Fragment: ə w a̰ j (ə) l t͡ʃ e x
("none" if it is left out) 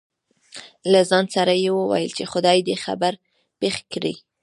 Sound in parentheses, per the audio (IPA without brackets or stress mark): ə